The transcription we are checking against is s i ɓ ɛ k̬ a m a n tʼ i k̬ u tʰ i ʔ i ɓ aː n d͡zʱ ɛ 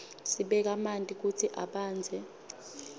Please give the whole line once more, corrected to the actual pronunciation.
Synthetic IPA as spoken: s i ɓ ɛ k̬ a m a n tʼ i k̬ u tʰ i ʔ a ɓ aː n d͡zʱ ɛ